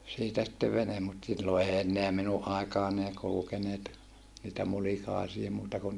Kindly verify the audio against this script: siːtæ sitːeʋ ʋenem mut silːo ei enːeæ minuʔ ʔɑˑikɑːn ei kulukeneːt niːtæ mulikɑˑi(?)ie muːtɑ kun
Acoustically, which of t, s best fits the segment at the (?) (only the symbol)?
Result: s